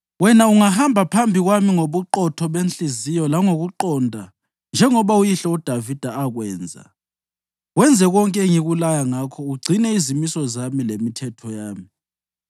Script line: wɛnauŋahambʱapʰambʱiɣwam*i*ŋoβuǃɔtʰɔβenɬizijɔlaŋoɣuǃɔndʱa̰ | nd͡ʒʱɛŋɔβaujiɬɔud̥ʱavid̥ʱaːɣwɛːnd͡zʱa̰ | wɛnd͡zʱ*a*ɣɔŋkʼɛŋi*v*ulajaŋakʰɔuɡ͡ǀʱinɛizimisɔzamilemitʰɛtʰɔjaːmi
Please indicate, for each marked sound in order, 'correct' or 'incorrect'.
correct, incorrect: ɛ, incorrect: ɣ

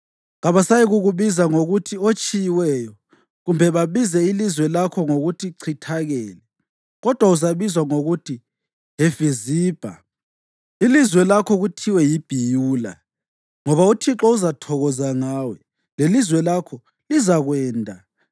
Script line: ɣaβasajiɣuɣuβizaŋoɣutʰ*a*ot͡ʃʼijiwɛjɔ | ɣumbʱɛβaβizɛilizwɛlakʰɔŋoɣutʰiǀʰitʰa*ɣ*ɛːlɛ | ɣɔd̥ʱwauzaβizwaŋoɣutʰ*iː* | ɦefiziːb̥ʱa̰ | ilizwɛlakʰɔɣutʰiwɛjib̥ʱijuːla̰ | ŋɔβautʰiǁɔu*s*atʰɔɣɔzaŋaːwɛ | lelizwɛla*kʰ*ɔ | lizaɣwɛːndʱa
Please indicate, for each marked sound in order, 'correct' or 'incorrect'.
incorrect: i, correct, incorrect: i, incorrect: z, correct

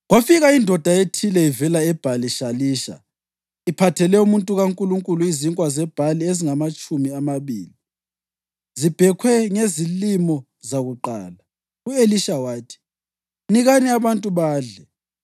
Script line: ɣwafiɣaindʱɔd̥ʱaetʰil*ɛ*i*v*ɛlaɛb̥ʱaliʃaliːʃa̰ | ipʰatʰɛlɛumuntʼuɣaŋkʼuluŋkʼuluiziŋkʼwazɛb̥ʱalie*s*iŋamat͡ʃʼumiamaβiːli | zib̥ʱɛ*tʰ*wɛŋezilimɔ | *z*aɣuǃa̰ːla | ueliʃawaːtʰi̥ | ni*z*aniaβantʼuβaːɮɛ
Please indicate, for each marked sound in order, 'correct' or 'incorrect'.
correct, correct, incorrect: z, incorrect: kʰ, correct, incorrect: ɣ

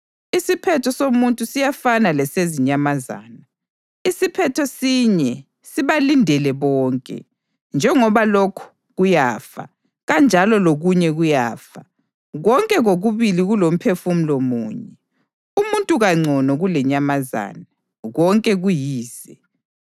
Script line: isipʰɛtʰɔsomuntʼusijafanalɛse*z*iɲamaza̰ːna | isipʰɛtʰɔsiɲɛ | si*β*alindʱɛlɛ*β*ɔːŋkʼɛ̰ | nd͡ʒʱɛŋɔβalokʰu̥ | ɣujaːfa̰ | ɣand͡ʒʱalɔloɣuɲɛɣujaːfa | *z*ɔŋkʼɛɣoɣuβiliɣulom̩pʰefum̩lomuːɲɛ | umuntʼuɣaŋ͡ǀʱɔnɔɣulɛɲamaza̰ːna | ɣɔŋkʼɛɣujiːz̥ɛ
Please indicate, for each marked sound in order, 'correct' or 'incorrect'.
correct, correct, correct, incorrect: ɣ

